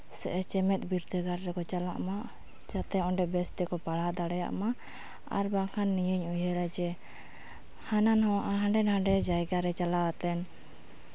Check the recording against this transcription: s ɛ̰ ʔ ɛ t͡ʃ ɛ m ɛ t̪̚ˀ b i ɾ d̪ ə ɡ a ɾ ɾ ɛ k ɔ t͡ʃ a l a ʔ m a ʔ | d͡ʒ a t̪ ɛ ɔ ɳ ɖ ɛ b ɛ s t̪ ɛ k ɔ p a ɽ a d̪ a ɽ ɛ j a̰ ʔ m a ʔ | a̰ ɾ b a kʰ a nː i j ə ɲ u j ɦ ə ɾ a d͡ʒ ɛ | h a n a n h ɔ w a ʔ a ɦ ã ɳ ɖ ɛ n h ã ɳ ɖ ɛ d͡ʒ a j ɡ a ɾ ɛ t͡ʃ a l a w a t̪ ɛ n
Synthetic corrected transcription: s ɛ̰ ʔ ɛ t͡ʃ ɛ m ɛ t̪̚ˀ b i ɾ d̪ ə ɡ a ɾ ɾ ɛ k ɔ t͡ʃ a l a ʔ m a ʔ | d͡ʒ a t̪ ɛ ɔ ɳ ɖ ɛ b ɛ s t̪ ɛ k ɔ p a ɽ a d̪ a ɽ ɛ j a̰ ʔ m a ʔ | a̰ ɾ b a kʰ a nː i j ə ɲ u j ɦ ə ɾ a d͡ʒ ɛ | h a n a n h ɔ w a ʔ a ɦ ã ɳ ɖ ɛ n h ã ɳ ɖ ɛ d͡ʒ a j ɡ a ɾ ɛ t͡ʃ a l a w a t̪ ɛ n